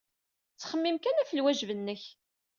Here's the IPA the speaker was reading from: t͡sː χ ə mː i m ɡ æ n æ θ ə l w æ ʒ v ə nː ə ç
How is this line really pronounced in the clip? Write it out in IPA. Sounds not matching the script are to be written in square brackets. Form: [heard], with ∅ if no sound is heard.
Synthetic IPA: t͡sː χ ə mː i m [k] æ n æ [f] ə l w æ ʒ v ə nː ə ç